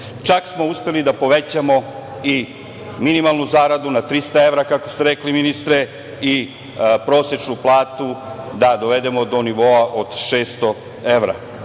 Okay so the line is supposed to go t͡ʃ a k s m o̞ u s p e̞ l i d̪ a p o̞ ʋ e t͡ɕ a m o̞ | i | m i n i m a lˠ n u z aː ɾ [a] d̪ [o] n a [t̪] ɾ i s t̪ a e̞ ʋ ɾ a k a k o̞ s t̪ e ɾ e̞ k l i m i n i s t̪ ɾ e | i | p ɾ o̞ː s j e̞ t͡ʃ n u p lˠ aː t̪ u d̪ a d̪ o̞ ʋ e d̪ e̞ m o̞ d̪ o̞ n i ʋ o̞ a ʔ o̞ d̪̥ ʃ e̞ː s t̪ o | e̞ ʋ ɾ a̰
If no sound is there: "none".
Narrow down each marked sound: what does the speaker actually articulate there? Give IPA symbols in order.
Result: a, u, t̪

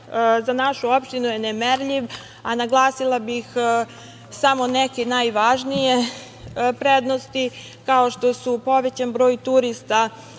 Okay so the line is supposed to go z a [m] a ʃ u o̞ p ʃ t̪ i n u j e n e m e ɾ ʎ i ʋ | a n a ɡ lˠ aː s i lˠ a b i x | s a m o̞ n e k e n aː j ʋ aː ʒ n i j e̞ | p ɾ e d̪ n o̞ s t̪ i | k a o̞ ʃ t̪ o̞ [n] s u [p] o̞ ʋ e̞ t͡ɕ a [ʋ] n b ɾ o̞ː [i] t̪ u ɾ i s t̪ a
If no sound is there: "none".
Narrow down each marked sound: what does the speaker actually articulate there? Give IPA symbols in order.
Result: n, none, p, none, j

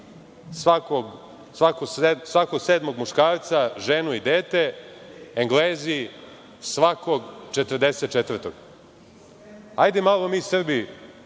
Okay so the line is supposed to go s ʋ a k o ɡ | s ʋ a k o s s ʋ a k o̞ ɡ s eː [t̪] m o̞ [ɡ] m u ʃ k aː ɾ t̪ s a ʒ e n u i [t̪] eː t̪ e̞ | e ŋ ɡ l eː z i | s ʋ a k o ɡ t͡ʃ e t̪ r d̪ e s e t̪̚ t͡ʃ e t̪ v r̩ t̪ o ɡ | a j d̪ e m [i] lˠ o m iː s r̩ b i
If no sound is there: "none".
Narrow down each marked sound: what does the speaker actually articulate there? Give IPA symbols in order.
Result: d̪, ɡ, d̪, a

